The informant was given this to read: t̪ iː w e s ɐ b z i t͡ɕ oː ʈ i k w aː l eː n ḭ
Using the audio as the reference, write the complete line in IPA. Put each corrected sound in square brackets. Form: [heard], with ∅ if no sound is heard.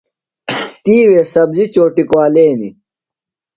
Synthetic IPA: t̪ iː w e s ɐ b z i t͡ɕ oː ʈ i k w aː l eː n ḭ

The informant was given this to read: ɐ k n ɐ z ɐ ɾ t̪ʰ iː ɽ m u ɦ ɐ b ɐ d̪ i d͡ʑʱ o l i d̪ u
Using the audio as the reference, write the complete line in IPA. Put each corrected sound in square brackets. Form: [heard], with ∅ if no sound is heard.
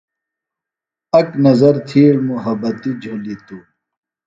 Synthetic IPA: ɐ k n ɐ z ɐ ɾ t̪ʰ iː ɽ m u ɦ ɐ b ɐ [t̪] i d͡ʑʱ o l i [t̪] u

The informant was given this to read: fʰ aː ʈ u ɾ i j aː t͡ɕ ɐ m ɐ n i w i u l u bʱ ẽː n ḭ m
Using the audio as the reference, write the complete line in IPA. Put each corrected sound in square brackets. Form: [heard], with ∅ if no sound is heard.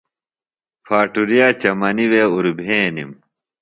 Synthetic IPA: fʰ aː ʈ u ɾ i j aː t͡ɕ ɐ m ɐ n i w [e] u [ɾ] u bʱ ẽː n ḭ m

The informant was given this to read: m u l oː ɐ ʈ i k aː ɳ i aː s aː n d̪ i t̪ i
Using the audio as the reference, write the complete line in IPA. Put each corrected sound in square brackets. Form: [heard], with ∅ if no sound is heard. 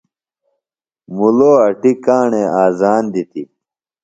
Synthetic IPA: m u l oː ɐ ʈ i k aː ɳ [e] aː [z] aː n d̪ i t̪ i

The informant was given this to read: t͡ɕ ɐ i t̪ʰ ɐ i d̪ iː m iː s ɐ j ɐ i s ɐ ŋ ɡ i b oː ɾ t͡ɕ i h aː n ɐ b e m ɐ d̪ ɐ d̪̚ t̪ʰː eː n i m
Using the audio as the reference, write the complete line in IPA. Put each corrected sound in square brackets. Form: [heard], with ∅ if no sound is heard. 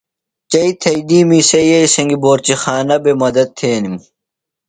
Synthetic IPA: t͡ɕ ɐ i t̪ʰ ɐ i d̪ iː m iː s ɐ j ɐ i s ɐ ŋ ɡ i b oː ɾ t͡ɕ i [x] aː n ɐ b e m ɐ d̪ ɐ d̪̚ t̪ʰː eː n i m

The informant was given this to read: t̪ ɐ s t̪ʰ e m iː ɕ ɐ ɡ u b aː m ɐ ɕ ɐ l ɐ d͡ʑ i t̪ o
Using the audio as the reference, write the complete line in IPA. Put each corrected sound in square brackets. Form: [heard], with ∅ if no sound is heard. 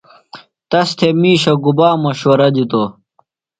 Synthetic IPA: t̪ ɐ s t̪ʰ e m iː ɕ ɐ ɡ u b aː m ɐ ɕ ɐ [ɾ] ɐ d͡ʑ i t̪ o

